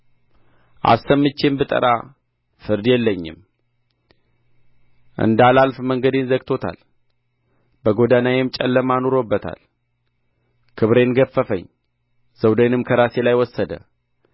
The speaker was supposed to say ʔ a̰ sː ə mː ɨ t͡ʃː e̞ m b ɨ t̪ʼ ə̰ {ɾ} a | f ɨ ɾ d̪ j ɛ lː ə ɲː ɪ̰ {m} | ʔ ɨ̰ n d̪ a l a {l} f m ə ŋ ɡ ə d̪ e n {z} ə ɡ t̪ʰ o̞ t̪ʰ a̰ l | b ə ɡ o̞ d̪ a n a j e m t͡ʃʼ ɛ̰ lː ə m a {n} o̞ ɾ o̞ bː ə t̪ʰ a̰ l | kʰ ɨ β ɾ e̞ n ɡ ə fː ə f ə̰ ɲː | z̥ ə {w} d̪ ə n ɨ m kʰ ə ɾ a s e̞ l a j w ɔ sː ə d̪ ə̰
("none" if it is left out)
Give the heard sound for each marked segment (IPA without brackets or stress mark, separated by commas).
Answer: ɾ, m, l, z, n, w